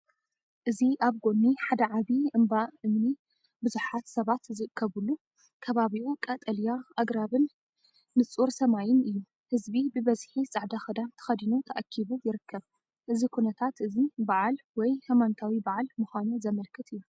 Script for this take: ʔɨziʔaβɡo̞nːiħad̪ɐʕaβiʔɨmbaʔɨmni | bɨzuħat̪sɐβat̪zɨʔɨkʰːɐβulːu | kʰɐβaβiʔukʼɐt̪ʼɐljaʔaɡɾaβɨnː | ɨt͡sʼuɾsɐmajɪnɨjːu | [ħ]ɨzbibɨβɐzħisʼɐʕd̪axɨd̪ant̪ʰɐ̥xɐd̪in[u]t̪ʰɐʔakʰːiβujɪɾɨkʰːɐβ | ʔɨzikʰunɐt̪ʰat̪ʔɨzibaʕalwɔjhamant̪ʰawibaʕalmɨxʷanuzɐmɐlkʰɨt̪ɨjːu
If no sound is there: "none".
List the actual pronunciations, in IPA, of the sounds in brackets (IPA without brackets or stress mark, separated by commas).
h, u